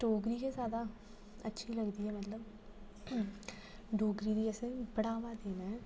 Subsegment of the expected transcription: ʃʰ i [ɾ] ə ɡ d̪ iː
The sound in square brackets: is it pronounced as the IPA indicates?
no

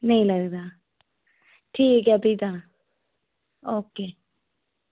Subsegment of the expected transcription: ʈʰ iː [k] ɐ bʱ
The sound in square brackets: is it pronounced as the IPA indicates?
yes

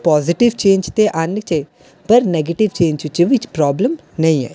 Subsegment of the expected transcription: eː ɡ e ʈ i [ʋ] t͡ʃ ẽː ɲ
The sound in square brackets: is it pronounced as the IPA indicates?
yes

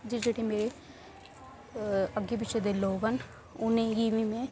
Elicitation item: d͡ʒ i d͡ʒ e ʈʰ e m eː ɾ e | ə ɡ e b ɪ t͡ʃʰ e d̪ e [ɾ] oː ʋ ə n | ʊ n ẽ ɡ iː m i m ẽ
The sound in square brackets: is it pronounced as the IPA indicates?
no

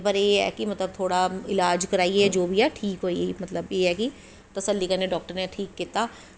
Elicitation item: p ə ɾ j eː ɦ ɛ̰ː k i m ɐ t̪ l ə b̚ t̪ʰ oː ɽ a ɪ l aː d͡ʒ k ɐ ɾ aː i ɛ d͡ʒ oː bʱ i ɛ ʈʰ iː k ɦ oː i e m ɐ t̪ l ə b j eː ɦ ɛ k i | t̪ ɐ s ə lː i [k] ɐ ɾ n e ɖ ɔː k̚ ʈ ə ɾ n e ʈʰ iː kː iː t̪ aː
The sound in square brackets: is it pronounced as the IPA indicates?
yes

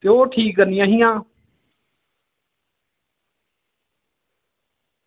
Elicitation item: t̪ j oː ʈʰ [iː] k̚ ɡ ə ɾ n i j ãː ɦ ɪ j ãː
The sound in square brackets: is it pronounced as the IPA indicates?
yes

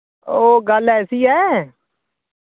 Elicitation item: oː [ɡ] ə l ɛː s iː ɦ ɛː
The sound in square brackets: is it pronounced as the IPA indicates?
yes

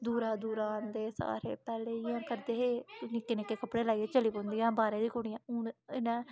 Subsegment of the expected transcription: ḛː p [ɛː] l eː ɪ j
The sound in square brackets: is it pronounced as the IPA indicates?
yes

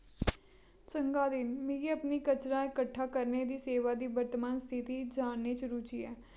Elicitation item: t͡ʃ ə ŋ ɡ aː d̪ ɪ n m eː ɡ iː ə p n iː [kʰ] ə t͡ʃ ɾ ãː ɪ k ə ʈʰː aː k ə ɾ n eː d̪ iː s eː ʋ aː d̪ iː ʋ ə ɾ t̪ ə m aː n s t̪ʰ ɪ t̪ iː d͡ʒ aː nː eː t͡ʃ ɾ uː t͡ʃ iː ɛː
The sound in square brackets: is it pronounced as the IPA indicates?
no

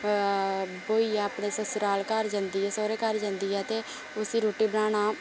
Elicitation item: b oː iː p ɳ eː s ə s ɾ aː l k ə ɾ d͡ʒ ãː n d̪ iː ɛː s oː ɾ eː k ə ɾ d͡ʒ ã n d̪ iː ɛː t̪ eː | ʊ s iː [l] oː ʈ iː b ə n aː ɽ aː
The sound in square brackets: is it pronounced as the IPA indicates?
no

